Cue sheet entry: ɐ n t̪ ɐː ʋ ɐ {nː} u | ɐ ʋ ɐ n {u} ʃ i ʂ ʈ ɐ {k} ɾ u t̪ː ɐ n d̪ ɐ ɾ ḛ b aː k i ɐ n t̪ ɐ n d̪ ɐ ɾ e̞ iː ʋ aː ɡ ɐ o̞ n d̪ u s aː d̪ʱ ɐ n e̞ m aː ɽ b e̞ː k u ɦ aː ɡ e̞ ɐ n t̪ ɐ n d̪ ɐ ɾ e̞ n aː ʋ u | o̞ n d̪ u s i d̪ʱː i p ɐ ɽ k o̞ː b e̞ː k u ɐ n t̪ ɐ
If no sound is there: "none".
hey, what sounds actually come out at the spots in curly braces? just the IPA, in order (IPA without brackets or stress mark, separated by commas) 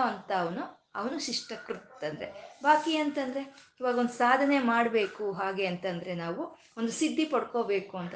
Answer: n, u, k